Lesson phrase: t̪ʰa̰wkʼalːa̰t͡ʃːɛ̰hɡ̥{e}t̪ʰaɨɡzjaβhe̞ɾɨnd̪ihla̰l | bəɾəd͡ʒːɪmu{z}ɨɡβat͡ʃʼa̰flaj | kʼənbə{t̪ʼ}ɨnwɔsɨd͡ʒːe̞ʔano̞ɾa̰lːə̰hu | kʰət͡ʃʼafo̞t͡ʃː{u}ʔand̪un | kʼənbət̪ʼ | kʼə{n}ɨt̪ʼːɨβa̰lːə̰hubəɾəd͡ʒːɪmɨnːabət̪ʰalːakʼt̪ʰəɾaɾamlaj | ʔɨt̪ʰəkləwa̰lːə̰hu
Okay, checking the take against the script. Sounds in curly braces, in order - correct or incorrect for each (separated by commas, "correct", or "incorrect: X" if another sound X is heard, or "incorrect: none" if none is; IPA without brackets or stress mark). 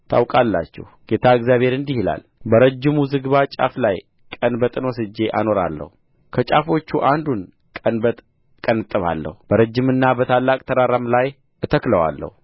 correct, correct, correct, correct, correct